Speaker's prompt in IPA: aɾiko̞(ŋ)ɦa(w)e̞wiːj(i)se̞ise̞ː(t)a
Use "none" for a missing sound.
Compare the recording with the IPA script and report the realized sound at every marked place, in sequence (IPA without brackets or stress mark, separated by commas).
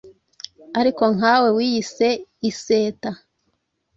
ŋ, w, i, t